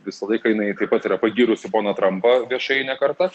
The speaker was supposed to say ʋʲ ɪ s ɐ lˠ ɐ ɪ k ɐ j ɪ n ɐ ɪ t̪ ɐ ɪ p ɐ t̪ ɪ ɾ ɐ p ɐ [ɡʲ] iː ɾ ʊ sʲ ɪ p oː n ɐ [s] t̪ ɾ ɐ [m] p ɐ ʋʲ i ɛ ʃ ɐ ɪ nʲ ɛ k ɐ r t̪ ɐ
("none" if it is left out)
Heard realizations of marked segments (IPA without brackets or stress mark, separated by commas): ɡʲ, none, m